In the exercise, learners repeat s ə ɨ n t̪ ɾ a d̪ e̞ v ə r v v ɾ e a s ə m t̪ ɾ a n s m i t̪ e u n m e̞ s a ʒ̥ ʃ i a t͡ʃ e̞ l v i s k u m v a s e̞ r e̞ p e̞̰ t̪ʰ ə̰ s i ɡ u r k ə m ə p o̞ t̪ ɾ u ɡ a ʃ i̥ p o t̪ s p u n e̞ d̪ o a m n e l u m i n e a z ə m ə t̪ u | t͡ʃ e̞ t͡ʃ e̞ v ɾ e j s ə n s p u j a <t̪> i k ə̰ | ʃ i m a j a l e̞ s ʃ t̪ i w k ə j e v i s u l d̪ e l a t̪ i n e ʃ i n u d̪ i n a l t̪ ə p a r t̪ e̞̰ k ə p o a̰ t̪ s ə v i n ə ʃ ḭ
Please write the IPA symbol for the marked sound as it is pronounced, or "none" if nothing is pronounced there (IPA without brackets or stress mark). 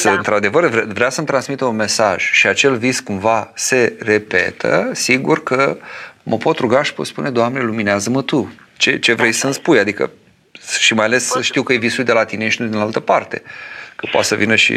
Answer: d̪